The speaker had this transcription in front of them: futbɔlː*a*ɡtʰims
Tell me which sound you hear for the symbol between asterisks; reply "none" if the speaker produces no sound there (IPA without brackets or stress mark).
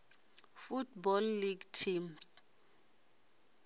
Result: i